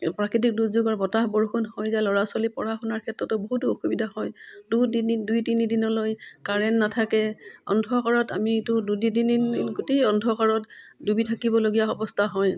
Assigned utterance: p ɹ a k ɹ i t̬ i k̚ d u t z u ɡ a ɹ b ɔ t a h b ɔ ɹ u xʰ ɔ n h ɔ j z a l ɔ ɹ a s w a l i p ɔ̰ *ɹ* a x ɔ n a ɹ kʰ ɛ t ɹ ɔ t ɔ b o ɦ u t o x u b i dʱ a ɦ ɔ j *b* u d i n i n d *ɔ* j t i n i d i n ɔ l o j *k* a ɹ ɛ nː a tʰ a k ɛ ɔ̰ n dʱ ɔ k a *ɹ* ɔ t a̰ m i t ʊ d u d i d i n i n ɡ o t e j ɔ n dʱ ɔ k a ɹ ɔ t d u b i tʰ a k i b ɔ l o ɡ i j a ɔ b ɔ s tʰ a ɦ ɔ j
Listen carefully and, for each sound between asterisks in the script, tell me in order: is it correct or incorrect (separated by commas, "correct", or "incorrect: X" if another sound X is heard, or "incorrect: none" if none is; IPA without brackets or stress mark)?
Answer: correct, incorrect: d, incorrect: u, correct, correct